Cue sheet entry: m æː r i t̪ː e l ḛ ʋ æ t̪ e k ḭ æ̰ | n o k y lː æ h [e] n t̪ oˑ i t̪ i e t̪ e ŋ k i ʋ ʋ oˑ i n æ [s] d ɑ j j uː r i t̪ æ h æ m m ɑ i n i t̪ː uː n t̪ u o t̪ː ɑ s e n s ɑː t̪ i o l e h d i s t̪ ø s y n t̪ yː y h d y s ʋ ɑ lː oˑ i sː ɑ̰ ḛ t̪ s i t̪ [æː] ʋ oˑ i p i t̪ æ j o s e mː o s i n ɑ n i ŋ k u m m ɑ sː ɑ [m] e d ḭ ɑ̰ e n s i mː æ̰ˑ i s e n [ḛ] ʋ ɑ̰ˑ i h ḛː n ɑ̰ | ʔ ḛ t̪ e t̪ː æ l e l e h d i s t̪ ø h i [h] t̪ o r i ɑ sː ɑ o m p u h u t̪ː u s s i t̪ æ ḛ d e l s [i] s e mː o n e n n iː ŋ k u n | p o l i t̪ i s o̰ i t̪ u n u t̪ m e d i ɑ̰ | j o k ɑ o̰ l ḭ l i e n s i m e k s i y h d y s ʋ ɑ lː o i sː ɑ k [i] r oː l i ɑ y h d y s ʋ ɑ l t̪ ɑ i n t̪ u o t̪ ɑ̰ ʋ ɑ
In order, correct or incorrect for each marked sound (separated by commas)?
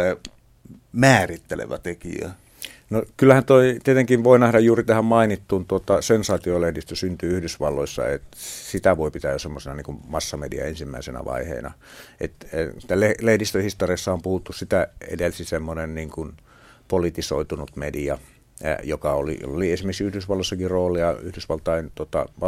incorrect, incorrect, incorrect, correct, incorrect, incorrect, correct, correct